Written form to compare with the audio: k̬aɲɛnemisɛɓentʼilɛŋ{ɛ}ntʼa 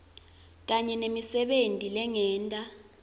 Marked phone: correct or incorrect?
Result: incorrect